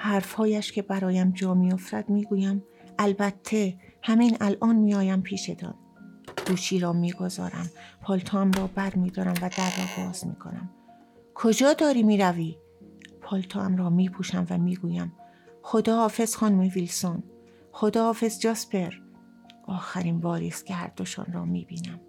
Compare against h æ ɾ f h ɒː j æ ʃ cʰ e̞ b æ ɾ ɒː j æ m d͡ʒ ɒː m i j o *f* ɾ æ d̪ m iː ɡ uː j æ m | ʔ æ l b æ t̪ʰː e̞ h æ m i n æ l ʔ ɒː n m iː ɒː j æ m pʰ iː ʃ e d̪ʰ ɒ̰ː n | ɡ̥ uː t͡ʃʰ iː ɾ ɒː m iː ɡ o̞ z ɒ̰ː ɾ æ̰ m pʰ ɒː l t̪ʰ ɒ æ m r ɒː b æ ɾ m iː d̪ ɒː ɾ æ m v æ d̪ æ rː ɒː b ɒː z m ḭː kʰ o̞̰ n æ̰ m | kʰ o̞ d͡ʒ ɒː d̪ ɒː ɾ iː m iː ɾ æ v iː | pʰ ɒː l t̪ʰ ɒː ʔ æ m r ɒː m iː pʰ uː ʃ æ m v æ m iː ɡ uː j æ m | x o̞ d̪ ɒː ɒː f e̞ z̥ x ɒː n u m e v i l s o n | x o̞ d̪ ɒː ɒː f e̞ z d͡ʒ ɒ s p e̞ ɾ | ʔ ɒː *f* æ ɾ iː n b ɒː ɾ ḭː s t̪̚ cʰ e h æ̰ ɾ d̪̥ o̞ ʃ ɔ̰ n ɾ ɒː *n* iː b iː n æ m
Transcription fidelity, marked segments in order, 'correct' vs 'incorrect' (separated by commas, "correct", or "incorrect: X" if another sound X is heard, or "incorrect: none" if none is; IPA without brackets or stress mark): correct, incorrect: x, incorrect: m